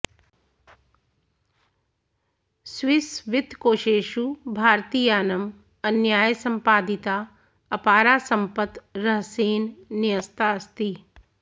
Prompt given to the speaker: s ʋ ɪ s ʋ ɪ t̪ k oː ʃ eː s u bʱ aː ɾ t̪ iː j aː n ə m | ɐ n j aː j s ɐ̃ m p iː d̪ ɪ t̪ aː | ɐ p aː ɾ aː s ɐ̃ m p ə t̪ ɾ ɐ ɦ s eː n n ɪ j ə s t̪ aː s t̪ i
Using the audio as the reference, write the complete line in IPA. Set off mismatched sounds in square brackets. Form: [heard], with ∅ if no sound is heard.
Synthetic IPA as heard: s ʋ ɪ s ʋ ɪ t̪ k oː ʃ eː [ʃ] u bʱ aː ɾ t̪ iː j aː n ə m | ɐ n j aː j s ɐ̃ m p [aː] d̪ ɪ t̪ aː | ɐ p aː ɾ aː s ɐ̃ m p ə t̪ ɾ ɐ ɦ s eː n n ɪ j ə s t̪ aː s t̪ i